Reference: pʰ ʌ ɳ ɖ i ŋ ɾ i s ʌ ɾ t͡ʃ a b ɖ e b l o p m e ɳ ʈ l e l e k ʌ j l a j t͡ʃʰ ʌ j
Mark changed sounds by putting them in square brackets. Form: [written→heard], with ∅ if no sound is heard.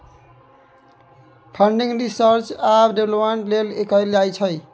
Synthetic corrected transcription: pʰ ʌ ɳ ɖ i ŋ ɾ i s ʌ ɾ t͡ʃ a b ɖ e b l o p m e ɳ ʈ l e l e k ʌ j l a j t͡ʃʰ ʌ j

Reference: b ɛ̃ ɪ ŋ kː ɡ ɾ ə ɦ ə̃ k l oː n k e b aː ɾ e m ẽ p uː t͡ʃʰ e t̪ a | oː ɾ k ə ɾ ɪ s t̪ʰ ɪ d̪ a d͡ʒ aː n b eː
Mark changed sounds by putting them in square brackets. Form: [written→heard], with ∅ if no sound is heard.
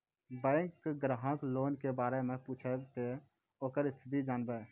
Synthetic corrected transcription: b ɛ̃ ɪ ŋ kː ɡ ɾ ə ɦ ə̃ k l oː n k e b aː ɾ e m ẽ p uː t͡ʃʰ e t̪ [a→e] | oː [ɾ→∅] k ə ɾ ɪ s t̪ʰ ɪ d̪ [a→i] d͡ʒ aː n b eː

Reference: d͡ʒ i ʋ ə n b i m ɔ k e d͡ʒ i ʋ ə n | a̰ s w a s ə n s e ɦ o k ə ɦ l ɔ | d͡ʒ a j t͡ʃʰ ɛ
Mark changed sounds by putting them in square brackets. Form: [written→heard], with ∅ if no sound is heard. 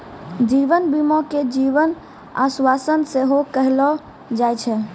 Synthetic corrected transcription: d͡ʒ i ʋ ə n b i m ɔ k e d͡ʒ i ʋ ə n | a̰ s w a s ə n s e ɦ o k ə ɦ l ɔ | d͡ʒ a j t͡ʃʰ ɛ

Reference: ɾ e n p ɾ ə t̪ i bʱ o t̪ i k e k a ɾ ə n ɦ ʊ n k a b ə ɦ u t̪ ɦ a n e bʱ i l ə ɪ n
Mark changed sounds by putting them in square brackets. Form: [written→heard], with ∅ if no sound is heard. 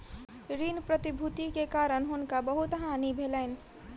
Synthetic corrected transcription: ɾ [e→i] n p ɾ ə t̪ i bʱ [o→u] t̪ i k e k a ɾ ə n ɦ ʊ n k a b ə ɦ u t̪ ɦ a n [e→i] bʱ [i→e] l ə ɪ n

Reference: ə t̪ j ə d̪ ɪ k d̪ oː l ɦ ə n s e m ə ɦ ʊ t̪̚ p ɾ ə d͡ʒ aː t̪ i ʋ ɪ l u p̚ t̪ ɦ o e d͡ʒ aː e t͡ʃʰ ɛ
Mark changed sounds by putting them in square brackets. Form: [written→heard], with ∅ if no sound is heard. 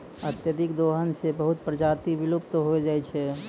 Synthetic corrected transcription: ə t̪ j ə d̪ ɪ k d̪ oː [l→∅] ɦ ə n s e [m→b] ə ɦ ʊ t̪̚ p ɾ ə d͡ʒ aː t̪ i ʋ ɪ l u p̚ t̪ ɦ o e d͡ʒ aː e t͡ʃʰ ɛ

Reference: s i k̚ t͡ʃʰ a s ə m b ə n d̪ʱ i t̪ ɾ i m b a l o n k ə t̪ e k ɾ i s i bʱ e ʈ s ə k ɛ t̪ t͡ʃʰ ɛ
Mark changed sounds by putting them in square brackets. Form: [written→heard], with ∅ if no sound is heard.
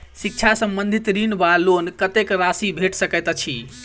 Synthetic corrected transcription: s i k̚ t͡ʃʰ a s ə m b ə n d̪ʱ i t̪ ɾ i [m→n] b a l o n k ə t̪ e k ɾ [i→a] s i bʱ e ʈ s ə k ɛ t̪ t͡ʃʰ [ɛ→i]

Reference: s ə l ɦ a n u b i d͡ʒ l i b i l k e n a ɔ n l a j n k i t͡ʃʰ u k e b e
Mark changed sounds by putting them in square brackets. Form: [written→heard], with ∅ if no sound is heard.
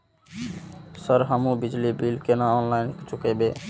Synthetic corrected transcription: s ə [l→ɾ] ɦ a [n→m] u b i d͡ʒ l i b i l k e n a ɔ n l a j n k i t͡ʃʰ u k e b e

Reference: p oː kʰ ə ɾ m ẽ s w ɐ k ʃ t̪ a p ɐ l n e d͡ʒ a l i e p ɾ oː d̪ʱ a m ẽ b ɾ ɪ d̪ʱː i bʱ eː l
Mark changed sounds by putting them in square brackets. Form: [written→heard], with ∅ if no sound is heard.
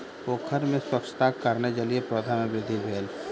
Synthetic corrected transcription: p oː kʰ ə ɾ m ẽ s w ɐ k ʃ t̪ a [p→k] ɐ [l→ɾ] n e d͡ʒ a l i e p ɾ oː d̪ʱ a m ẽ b ɾ ɪ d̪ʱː i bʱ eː l

